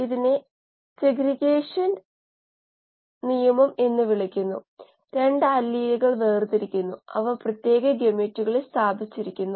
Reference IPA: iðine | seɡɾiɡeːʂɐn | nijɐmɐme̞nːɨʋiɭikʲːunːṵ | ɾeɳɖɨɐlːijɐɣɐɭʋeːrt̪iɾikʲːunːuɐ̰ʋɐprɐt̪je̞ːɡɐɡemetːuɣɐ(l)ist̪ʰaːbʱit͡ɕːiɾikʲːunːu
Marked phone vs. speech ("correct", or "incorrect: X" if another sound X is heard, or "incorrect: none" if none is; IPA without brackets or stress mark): incorrect: ɭ